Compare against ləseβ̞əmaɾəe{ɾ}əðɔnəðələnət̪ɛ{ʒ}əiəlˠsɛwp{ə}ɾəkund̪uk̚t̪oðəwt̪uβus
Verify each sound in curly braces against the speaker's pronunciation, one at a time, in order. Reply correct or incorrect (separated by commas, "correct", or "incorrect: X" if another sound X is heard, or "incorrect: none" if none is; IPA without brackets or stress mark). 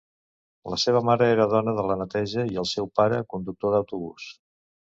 correct, correct, incorrect: a